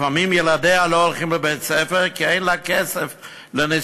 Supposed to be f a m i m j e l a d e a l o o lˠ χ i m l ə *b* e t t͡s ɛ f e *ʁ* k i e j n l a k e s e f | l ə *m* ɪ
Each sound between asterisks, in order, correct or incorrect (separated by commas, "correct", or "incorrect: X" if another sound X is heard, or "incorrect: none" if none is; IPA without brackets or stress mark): correct, correct, incorrect: n